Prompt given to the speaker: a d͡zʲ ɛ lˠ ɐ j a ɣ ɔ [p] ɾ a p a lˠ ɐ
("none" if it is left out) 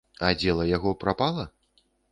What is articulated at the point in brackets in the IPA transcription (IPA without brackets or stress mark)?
p